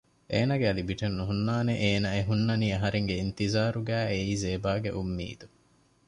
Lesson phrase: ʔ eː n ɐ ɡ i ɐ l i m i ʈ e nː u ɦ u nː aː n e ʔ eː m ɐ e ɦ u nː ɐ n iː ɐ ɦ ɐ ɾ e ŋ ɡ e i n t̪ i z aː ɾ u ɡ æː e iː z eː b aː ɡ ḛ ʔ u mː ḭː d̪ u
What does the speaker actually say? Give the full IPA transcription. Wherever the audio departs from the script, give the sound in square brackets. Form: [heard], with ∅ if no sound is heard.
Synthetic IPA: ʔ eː n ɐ ɡ [e] ɐ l i [b] i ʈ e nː u ɦ u nː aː n e ʔ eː [n] ɐ e ɦ u nː ɐ n iː ɐ ɦ ɐ ɾ e ŋ ɡ e i n t̪ i z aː ɾ u ɡ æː e iː z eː b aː ɡ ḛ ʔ u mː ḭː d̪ u